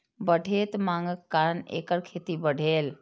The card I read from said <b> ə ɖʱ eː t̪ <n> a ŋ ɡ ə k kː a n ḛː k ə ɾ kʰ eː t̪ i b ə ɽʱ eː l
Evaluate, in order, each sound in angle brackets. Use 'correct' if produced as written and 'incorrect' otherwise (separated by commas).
correct, incorrect